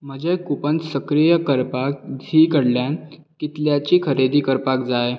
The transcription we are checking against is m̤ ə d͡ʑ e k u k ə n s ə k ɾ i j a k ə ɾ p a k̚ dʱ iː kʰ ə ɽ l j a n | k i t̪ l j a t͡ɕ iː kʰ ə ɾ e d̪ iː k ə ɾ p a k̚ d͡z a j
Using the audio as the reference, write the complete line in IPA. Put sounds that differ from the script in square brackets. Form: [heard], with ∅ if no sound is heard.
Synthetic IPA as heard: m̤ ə d͡ʑ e k u [p] ə n s ə k ɾ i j [ə] k ə ɾ p a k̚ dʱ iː [k] ə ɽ l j a n | k i t̪ l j a t͡ɕ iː kʰ ə ɾ e d̪ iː k ə ɾ p a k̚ d͡z a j